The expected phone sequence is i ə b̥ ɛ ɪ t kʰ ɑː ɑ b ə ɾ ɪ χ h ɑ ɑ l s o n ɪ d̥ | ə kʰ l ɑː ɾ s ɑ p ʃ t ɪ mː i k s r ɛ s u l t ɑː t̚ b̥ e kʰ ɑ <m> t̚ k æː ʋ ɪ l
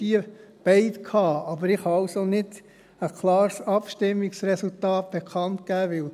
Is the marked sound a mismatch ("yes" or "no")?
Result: yes